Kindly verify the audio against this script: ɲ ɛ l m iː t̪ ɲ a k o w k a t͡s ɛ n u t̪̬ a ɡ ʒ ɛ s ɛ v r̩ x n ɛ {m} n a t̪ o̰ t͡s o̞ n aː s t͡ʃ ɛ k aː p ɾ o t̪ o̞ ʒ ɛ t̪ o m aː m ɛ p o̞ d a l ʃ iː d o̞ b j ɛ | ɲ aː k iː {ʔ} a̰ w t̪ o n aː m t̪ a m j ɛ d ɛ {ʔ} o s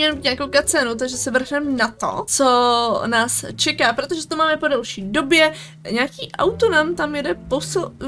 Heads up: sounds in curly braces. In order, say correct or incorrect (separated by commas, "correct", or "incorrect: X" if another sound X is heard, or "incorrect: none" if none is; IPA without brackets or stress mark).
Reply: correct, correct, incorrect: p